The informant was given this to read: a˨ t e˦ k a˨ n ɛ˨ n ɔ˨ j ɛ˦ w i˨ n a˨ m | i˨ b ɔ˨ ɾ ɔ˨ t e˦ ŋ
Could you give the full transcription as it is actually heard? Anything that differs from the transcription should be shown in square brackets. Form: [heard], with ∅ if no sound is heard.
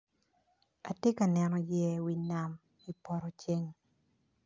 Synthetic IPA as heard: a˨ t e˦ k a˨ n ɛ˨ n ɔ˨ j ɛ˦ w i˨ n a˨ m | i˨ [p] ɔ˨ ɾ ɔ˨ [t͡ʃ] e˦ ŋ